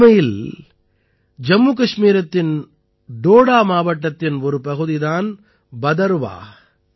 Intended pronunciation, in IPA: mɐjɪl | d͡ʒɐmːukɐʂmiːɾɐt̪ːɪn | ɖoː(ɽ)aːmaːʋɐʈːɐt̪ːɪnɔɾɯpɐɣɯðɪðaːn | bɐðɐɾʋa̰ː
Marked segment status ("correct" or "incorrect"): correct